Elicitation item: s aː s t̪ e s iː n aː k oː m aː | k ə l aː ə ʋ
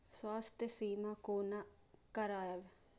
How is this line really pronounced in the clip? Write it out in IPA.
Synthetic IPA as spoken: s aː s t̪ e s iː m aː k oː n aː | k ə ɾ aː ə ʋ